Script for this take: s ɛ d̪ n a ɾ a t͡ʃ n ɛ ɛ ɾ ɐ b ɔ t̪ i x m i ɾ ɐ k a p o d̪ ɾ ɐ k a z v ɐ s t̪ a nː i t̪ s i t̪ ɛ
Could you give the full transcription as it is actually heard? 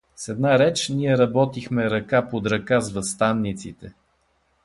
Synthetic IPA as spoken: s ɛ d̪ n a ɾ ɛ t͡ʃ n i ɛ ɾ ɐ b ɔ t̪ i x m ɛ ɾ ɐ k a p o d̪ ɾ ɐ k a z v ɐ s t̪ a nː i t̪ s i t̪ ɛ